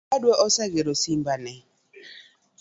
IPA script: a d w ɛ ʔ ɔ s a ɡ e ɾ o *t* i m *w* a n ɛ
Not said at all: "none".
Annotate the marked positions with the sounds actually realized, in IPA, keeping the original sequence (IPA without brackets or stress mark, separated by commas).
s, b